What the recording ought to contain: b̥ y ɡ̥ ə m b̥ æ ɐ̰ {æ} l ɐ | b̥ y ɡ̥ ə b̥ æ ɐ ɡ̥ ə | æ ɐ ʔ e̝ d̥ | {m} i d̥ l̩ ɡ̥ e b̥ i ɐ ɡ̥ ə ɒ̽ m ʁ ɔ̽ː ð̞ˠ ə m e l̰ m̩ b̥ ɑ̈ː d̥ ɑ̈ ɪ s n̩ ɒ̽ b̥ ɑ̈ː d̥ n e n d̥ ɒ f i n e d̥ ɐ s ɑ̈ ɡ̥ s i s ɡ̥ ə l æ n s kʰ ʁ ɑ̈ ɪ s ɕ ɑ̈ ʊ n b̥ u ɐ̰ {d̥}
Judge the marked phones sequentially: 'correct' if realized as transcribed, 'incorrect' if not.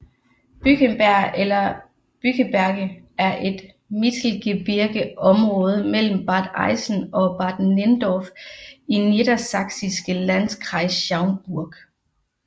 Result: incorrect, correct, incorrect

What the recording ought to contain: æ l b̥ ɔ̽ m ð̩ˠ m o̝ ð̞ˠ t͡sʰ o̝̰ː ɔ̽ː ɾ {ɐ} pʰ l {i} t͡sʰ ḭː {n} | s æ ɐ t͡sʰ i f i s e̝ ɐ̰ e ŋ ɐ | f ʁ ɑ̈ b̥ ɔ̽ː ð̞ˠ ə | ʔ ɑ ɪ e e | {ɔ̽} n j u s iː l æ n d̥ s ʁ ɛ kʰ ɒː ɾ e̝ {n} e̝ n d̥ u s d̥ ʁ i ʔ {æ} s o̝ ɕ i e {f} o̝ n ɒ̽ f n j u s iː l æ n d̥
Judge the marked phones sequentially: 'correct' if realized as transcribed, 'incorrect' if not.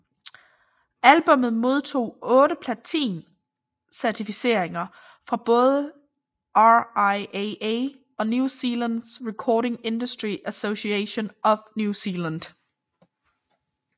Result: incorrect, incorrect, correct, incorrect, incorrect, correct, incorrect

